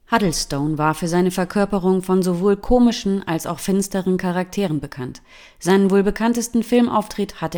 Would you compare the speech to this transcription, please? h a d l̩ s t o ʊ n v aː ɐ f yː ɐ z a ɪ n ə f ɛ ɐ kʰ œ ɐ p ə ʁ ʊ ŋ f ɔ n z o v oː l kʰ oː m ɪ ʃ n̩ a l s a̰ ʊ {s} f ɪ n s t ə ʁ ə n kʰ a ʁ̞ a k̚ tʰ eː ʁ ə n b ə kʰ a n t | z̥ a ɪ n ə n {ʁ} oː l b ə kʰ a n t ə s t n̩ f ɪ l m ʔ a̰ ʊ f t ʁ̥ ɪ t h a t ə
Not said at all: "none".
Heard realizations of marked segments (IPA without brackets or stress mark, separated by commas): x, v